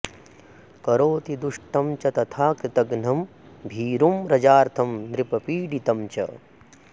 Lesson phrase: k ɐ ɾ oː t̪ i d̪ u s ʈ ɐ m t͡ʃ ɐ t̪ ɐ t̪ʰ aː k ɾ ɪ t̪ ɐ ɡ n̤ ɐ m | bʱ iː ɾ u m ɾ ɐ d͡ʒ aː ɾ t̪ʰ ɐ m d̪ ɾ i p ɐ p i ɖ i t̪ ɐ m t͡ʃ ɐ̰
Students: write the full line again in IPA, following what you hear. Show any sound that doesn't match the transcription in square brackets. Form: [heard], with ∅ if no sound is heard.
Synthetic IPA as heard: k ɐ ɾ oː t̪ i d̪ u [ʂ] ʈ ɐ m t͡ʃ ɐ t̪ ɐ t̪ʰ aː k ɾ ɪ t̪ ɐ ɡ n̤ ɐ m | bʱ iː ɾ u m ɾ ɐ d͡ʒ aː ɾ t̪ʰ ɐ m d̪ ɾ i p ɐ p [iː] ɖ i t̪ ɐ m t͡ʃ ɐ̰